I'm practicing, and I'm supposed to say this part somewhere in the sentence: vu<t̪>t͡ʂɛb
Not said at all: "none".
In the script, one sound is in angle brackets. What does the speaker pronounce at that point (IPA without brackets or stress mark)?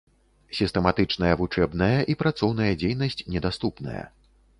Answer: none